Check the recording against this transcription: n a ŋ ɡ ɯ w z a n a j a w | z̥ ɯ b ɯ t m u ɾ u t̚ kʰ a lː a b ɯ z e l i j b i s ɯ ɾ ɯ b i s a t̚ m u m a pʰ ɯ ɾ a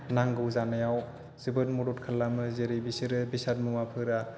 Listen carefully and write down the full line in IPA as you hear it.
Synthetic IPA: n a ŋ ɡ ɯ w z a n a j a w | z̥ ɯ b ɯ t m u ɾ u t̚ kʰ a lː a m ɯ z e ɾ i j b i s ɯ ɾ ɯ b i s a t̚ m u m a pʰ ɯ ɾ a